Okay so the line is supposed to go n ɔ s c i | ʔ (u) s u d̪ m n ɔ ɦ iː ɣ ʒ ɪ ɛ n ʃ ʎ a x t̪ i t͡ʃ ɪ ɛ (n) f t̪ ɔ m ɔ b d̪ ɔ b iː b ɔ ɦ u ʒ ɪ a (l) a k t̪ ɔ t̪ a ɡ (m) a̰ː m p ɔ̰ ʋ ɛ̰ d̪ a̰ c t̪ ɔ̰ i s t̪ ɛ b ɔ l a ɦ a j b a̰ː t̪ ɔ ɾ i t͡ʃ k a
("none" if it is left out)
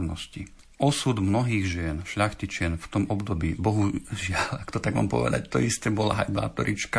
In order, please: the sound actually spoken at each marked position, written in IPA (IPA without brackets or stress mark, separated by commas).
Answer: ɔ, n, l, m